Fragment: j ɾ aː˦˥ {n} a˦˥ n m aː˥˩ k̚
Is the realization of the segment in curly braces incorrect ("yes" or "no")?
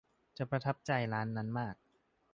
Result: yes